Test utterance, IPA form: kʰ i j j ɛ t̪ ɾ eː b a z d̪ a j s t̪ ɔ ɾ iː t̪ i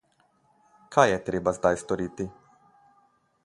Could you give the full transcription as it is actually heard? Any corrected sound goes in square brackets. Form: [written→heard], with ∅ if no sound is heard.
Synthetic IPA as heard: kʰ [i→a] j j ɛ t̪ ɾ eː b a z d̪ a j s t̪ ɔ ɾ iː t̪ i